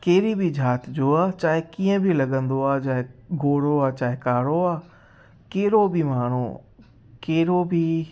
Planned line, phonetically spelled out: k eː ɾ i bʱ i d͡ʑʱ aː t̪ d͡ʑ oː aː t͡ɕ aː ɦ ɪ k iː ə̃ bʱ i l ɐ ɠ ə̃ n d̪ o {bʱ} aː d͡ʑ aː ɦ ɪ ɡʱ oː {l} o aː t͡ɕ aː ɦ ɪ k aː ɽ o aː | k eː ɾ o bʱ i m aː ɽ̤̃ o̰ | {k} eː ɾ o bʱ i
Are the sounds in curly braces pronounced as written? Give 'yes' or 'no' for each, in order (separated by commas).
no, no, yes